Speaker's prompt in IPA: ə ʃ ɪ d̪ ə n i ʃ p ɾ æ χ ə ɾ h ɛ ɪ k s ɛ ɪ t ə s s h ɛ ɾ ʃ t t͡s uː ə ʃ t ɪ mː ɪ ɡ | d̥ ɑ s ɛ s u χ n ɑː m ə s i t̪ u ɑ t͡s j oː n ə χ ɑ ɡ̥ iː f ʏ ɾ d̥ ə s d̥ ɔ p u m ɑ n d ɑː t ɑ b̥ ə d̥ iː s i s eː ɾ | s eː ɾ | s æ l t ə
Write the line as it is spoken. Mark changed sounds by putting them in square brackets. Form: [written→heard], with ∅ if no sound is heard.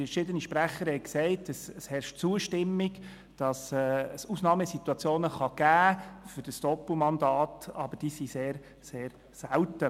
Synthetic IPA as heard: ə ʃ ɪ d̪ ə n i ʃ p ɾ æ χ ə ɾ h ɛ ɪ k s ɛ ɪ t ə s s h ɛ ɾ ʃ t t͡s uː ə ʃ t ɪ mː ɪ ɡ | d̥ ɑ s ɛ s u [χ→s] n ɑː m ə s i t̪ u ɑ t͡s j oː n ə χ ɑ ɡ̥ [iː→æː] f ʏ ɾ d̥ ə s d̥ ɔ p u m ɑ n d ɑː t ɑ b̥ ə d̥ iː s i s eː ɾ | s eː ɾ | s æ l t ə